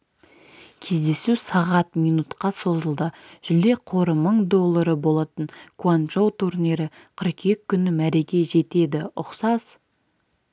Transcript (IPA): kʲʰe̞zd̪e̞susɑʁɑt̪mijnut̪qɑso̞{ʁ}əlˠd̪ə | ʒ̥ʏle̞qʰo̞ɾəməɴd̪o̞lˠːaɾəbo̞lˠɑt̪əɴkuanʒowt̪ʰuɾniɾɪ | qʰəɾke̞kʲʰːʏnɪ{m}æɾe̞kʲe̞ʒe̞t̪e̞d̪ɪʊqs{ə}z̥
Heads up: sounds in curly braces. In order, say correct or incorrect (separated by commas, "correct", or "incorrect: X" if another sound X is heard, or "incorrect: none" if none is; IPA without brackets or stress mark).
incorrect: z, correct, incorrect: ɑ